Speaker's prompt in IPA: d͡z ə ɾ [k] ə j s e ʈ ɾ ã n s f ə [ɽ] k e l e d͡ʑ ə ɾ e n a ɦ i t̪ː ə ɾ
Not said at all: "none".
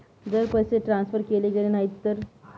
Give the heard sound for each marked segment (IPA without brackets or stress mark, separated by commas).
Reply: p, ɾ